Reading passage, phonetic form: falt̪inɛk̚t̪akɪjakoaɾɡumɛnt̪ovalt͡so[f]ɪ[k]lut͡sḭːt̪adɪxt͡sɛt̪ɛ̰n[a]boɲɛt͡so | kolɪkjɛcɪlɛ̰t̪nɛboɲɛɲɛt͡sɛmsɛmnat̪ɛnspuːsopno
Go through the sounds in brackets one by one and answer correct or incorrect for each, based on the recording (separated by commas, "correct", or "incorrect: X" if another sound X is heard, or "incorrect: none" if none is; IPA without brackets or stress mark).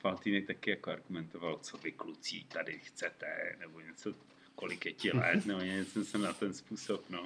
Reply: incorrect: v, correct, incorrect: ɛ